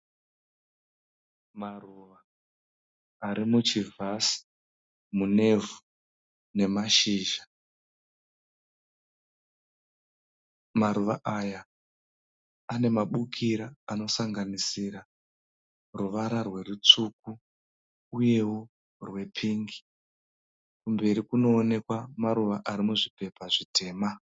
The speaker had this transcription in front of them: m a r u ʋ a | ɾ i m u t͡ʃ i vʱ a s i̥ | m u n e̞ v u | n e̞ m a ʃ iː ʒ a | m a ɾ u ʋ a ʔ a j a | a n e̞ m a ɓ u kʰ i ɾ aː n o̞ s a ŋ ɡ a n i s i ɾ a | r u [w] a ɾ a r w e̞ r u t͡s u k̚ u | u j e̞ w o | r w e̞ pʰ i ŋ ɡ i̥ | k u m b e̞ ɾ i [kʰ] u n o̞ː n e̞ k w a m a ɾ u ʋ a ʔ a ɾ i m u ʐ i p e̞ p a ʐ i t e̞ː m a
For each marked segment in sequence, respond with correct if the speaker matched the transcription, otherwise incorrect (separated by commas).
incorrect, incorrect